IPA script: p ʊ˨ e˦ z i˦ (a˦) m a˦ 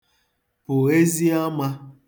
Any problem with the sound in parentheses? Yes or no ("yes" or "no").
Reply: no